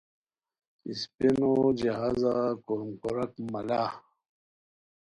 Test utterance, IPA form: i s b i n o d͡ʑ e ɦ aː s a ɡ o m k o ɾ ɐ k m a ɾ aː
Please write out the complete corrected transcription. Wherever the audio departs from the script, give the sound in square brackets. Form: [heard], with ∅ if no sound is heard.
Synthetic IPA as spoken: i s [p] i n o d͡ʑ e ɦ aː [z] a [k] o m k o ɾ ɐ k m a [l] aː